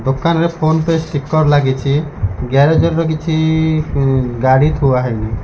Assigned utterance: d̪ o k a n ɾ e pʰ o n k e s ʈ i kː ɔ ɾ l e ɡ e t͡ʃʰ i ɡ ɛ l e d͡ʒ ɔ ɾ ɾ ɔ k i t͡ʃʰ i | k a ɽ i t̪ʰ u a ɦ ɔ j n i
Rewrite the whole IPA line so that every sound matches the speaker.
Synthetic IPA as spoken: d̪ o k a n ɾ e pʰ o n p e s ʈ i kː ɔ ɾ l a ɡ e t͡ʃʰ i ɡ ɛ ɾ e d͡ʒ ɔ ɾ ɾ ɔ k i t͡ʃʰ i | ɡ a ɽ i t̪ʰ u a ɦ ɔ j n i